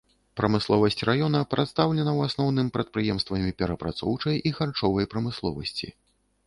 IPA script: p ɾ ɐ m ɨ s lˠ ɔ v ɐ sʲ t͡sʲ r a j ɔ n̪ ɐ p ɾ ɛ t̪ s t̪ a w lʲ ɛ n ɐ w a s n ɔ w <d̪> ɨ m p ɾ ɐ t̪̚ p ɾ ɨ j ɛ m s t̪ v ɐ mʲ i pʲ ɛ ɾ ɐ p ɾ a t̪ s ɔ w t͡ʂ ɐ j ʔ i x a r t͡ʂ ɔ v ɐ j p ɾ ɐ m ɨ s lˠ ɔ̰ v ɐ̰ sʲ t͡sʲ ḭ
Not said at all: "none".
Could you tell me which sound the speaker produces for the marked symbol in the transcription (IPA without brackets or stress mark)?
n̪